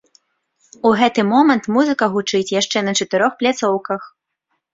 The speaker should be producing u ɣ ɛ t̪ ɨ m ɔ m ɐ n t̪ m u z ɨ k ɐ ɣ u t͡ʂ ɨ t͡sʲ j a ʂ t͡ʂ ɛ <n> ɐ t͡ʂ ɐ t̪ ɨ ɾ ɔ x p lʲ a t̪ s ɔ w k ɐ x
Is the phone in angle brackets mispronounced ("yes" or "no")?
no